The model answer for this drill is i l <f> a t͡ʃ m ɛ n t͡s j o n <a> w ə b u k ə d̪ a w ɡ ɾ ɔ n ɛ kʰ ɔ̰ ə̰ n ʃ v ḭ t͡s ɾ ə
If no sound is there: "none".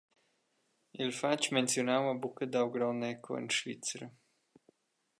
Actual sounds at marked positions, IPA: f, a

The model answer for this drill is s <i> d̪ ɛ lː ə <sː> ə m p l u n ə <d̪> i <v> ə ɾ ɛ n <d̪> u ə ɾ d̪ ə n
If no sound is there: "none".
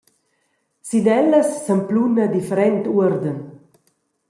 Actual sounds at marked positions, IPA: i, sː, d̪, f, t̪

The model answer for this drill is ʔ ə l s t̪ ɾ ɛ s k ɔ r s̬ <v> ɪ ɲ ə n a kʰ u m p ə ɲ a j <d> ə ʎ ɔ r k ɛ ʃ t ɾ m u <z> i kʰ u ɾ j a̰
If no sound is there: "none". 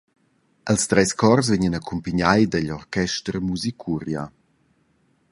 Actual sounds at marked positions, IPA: v, d, z

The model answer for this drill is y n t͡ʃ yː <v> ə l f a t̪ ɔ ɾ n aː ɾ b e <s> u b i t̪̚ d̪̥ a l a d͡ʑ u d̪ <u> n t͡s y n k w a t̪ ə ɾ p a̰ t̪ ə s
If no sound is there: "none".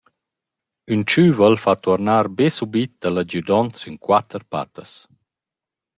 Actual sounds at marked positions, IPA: v, s, ɔ

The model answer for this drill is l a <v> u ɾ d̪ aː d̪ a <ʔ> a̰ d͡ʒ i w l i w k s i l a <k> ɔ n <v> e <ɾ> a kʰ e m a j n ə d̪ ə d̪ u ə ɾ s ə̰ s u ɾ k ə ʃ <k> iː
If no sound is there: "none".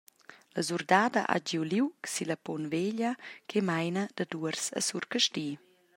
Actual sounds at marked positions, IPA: z, ʔ, p, v, ʎ, t

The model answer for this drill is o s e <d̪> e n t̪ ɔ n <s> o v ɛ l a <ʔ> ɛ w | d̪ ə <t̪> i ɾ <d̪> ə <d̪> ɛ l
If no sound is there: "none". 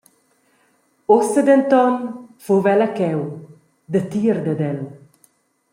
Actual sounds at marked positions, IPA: d̪, f, k, t̪, d̪, d̪

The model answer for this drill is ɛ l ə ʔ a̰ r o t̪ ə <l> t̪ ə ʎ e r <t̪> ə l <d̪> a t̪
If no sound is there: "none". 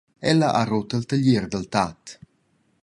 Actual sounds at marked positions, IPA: l, d̪, t̪

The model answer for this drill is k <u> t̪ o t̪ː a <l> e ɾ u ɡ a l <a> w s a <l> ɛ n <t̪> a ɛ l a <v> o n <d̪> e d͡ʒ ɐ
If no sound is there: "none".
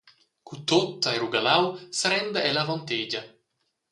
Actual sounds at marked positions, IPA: u, none, a, ɾ, d̪, v, t̪

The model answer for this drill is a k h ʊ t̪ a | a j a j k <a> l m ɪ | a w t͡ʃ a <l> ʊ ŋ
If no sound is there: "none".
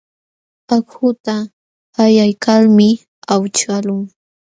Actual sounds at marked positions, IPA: a, l

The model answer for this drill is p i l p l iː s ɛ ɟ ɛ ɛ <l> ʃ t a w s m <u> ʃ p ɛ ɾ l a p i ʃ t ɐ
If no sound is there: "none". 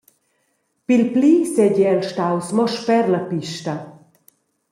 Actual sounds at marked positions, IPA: l, ɔ

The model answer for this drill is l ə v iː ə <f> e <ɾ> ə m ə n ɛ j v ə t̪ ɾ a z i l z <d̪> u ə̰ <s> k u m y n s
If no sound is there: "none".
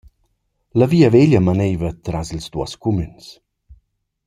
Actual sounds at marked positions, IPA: v, ʎ, d̪, s

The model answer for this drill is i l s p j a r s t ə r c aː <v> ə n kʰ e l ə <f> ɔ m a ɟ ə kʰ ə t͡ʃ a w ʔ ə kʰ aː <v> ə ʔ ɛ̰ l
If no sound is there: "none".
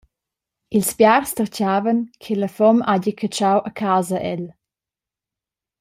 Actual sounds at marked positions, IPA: v, f, z

